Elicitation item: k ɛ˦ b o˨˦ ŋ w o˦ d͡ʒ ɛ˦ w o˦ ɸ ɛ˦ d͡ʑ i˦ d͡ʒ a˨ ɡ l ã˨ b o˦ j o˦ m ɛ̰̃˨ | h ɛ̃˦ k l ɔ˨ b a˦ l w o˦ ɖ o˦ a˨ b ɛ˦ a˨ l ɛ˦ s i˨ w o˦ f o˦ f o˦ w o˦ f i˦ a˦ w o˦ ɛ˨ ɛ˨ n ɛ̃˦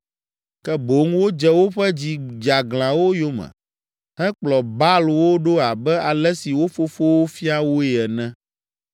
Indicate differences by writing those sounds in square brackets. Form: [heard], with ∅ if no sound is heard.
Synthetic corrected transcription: k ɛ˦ b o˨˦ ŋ w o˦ d͡ʒ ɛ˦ w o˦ ɸ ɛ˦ d͡ʑ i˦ d͡ʒ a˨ ɡ l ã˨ [w] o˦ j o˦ m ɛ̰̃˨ | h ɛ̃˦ [k͡p] l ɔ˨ b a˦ l w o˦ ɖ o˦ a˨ b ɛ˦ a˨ l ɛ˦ s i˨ w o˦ f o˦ f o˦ w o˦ f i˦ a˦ w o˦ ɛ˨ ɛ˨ n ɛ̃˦